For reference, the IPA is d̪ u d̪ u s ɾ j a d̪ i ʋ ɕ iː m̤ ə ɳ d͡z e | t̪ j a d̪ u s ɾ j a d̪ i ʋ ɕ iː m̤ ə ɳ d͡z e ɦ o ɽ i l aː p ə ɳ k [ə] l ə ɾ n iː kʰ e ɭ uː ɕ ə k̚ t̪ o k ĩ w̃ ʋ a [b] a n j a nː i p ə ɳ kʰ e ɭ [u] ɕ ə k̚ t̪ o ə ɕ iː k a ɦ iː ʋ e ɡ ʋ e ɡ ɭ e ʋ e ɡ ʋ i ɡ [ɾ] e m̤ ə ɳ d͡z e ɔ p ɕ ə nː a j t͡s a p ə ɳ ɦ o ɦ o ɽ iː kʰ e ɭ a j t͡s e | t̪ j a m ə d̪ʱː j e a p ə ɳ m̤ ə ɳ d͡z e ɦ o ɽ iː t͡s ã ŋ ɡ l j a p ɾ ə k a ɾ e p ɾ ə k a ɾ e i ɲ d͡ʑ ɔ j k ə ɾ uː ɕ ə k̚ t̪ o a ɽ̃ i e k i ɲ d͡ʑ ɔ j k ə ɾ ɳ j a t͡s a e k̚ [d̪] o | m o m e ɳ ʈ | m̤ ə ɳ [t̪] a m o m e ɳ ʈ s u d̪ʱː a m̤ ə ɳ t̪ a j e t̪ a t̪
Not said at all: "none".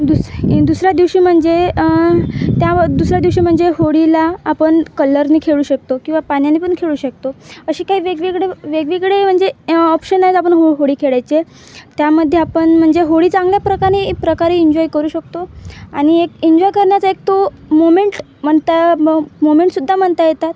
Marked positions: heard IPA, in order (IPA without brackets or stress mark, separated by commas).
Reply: ə, p, uː, ɭ, t̪, t̪